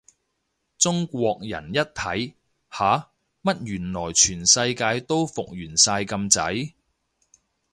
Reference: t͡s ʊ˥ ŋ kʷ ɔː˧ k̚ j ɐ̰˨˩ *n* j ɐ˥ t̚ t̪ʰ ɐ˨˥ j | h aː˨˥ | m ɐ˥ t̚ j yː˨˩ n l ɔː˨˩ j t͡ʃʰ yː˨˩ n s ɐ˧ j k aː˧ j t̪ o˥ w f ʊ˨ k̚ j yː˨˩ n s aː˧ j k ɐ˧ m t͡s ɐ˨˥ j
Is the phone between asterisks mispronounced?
no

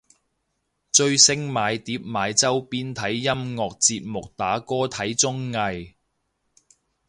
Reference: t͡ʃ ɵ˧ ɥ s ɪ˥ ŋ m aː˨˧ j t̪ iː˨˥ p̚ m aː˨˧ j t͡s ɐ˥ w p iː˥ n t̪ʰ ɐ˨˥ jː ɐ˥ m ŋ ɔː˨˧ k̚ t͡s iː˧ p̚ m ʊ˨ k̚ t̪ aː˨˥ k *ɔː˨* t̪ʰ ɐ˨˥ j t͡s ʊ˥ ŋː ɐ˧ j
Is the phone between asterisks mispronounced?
yes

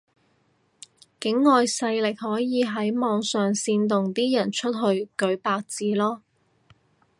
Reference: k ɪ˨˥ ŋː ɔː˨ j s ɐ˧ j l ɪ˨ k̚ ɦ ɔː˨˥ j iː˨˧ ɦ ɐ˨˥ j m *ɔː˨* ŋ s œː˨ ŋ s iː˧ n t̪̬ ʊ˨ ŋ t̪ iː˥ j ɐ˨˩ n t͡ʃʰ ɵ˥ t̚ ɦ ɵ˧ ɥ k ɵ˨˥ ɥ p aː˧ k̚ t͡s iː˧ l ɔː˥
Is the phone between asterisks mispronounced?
no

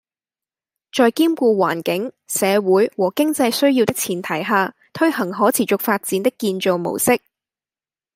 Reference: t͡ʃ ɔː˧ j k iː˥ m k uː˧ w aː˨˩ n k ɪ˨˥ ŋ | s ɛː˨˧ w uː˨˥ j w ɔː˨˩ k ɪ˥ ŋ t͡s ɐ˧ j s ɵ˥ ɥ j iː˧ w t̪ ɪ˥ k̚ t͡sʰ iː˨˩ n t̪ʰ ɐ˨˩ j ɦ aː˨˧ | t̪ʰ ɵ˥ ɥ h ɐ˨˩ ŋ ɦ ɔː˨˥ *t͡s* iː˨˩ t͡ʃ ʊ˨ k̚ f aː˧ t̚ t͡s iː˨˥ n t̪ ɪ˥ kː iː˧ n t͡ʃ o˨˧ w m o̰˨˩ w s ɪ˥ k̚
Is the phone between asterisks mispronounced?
yes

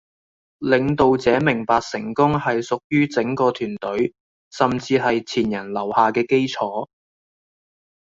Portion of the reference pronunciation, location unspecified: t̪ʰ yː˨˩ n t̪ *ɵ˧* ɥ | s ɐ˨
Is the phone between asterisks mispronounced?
yes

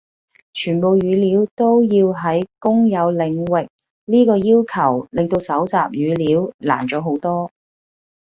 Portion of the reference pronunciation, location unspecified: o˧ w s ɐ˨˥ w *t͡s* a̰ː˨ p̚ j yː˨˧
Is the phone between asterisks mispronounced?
no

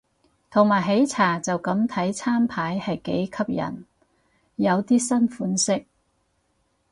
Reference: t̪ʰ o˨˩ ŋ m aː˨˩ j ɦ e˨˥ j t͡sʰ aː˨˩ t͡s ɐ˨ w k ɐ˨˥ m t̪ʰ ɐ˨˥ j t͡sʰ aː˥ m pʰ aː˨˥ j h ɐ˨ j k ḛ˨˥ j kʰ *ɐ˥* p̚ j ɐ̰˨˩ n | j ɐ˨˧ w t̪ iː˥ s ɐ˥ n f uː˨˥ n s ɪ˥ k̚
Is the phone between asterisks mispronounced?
no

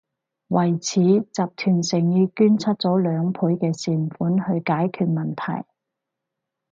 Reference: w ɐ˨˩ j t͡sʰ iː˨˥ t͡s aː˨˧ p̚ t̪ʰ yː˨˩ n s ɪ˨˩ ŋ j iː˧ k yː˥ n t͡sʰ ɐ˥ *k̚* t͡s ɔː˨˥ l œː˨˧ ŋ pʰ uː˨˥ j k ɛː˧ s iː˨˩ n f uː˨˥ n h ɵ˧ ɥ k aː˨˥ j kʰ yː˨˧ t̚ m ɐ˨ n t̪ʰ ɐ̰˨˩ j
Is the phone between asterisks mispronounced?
yes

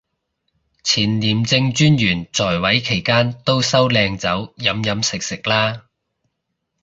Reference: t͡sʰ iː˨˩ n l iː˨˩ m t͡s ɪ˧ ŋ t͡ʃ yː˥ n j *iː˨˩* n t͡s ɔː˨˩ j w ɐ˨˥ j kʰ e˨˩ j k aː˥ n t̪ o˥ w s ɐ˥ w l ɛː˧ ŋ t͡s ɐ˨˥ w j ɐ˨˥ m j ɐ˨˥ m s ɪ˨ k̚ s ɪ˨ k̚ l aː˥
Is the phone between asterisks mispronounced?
yes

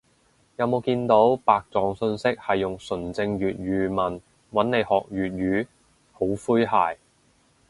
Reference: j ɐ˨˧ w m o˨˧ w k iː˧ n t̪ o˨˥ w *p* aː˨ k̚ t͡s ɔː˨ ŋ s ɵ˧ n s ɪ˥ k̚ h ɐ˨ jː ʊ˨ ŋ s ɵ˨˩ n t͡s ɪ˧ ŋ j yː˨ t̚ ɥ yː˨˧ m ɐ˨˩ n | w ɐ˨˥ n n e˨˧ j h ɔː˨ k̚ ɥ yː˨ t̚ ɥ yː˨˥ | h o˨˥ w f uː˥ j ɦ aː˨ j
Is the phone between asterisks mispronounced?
no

